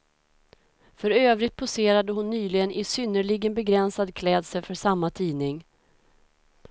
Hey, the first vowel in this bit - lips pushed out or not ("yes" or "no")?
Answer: yes